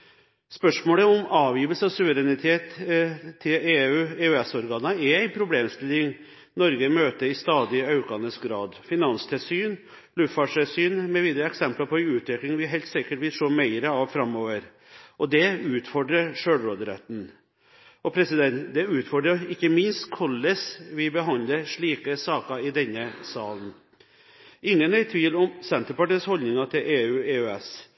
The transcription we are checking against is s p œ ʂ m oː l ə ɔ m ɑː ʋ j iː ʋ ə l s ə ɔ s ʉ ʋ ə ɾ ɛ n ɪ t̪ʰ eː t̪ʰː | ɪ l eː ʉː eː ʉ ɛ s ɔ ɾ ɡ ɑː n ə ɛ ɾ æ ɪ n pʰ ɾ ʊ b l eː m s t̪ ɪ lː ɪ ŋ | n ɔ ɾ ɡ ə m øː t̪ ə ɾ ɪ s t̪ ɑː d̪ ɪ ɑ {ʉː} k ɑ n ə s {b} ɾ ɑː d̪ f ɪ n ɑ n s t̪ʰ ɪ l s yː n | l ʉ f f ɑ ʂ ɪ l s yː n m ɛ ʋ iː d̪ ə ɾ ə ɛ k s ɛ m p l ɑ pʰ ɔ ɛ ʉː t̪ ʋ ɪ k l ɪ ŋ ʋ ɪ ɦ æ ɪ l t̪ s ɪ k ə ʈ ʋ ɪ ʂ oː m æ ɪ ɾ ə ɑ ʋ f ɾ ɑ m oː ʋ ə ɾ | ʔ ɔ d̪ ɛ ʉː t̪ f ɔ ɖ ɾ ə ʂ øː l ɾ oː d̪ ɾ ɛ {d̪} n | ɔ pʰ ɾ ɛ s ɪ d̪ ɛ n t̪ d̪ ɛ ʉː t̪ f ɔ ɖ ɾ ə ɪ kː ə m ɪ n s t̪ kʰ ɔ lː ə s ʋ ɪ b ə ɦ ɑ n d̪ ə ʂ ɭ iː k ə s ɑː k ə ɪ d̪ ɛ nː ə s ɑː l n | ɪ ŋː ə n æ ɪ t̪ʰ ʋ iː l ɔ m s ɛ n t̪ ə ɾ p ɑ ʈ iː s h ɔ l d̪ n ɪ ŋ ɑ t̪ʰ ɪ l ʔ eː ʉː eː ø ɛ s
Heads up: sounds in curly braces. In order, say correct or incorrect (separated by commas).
incorrect, incorrect, incorrect